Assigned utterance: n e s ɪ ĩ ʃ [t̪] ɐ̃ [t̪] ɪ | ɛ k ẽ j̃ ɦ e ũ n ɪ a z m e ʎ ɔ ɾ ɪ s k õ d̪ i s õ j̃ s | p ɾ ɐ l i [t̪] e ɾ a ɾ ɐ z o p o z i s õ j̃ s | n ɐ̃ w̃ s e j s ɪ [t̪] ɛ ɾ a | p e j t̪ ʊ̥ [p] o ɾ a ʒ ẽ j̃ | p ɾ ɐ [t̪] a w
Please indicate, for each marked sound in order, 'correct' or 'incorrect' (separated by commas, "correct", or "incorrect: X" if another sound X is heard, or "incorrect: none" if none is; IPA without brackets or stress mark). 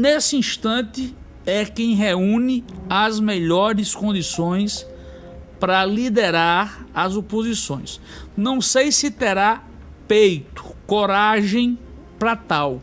correct, correct, incorrect: d̪, correct, incorrect: k, correct